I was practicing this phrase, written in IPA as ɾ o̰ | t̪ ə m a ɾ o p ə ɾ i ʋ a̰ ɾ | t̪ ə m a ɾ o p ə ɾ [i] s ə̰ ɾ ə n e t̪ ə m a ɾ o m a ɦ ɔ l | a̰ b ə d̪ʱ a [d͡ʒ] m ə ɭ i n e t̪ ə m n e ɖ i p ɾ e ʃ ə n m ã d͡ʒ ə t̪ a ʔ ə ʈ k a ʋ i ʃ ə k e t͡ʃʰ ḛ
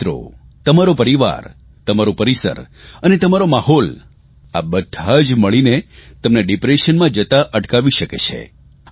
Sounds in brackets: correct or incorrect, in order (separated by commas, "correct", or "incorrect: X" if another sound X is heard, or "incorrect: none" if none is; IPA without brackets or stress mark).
correct, correct